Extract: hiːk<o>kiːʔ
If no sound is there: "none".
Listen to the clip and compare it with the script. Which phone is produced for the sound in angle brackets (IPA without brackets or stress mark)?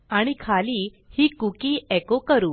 u